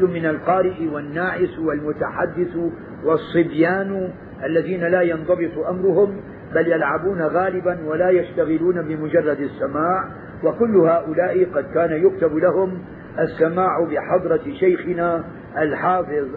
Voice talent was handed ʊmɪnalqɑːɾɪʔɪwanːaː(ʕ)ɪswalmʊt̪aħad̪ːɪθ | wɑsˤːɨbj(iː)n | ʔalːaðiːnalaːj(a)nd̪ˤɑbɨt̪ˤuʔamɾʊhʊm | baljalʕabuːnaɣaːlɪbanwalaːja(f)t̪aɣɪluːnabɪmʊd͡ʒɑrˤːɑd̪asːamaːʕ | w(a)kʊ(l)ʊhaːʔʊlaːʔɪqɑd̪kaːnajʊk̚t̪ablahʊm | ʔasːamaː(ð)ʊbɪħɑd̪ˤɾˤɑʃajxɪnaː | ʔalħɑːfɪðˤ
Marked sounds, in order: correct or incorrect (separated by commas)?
correct, incorrect, incorrect, incorrect, correct, incorrect, incorrect